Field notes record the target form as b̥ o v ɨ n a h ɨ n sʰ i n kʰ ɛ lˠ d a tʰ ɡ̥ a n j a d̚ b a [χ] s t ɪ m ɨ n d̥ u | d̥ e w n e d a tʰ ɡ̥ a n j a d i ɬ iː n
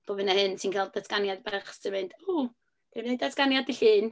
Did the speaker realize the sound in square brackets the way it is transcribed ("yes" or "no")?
yes